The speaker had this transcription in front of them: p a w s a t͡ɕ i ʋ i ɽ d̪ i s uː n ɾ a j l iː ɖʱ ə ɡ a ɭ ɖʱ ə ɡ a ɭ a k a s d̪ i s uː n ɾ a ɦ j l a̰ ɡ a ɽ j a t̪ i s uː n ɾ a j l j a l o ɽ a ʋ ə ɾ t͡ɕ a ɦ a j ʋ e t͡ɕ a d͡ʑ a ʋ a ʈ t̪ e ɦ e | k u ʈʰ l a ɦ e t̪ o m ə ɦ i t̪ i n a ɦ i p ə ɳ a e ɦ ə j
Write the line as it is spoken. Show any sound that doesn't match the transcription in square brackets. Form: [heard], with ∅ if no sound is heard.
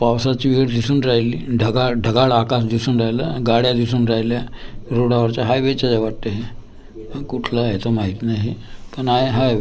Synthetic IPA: p a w s a t͡ɕ i ʋ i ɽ d̪ i s uː n ɾ a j l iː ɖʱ ə ɡ a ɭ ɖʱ ə ɡ a ɭ a k a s d̪ i s uː n ɾ a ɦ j l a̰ ɡ a ɽ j a [d̪] i s uː n ɾ a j l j a [ɾ] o ɽ a ʋ ə ɾ t͡ɕ a ɦ a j ʋ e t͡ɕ a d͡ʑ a ʋ a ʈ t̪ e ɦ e | k u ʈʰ l a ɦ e t̪ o m [a] ɦ i t̪ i n a ɦ i p ə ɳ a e ɦ [a] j